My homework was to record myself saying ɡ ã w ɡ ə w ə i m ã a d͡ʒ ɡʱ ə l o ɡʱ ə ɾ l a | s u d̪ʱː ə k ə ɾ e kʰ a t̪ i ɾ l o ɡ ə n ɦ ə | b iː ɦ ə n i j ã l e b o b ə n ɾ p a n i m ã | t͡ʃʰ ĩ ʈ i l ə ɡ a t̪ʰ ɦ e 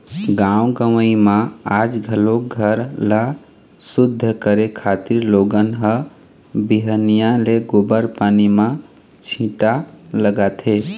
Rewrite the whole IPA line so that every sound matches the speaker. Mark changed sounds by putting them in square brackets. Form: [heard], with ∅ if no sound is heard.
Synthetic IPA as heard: ɡ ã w ɡ ə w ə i m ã a d͡ʒ ɡʱ ə l o ɡʱ ə ɾ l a | s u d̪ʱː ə k ə ɾ e kʰ a t̪ i ɾ l o ɡ ə n ɦ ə | b [i] ɦ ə n i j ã l e [ɡ] o b ə [∅] ɾ p a n i m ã | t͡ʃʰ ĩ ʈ [a] l ə ɡ a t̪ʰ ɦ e